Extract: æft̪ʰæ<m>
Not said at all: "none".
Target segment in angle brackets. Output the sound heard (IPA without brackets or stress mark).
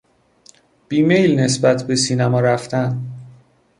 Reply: n